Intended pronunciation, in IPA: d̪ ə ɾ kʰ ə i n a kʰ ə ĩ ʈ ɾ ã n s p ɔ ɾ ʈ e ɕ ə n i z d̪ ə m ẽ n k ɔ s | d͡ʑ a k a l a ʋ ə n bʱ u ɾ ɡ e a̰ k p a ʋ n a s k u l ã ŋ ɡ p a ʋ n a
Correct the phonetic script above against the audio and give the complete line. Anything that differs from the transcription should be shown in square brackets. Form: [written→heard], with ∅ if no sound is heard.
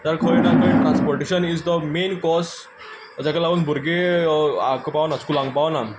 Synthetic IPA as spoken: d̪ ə ɾ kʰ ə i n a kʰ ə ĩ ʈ ɾ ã n s p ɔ ɾ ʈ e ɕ ə n i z d̪ ə m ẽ n k ɔ s | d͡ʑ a k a l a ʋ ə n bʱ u ɾ ɡ e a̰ k p a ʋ n a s k u l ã ŋ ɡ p a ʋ n a